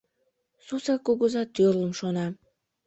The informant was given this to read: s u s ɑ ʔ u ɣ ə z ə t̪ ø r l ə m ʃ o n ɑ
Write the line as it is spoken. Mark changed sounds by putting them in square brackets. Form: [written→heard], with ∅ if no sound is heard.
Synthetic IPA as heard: s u s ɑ [ʔ→k] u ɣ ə z [ə→ɑ] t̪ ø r l ə m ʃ o n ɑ